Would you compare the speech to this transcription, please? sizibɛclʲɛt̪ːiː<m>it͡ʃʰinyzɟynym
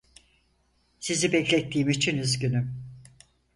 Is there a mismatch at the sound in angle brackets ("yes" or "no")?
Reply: no